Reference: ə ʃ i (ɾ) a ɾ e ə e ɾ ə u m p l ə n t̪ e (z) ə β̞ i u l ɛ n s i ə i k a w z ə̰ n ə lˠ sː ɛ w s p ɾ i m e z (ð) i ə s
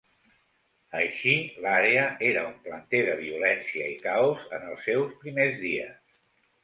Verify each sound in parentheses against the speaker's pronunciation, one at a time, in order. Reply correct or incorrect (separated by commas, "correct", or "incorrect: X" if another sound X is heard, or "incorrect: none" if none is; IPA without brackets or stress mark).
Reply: incorrect: l, incorrect: ð, correct